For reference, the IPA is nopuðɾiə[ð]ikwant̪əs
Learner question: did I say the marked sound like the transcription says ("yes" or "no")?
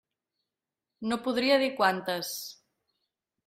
yes